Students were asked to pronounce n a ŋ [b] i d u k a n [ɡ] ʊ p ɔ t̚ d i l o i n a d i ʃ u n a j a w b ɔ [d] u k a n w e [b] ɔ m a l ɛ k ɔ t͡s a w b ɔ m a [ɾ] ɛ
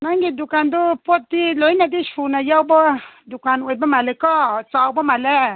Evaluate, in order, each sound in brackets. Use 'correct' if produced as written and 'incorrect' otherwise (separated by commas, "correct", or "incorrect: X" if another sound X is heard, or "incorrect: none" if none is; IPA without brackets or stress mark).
incorrect: ɡ, incorrect: d, correct, correct, incorrect: l